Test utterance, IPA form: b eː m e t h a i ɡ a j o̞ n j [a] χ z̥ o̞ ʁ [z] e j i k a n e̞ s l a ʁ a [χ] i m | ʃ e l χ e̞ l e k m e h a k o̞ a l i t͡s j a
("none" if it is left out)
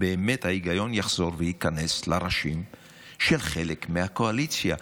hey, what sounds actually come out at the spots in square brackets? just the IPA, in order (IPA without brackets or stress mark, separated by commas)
a, v, ʃ